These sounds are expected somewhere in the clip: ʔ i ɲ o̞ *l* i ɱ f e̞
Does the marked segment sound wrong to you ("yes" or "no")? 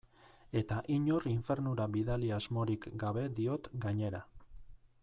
yes